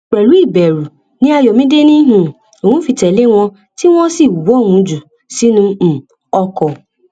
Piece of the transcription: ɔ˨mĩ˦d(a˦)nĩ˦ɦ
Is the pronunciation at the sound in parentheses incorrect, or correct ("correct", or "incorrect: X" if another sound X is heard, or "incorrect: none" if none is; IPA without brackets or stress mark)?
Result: incorrect: e˦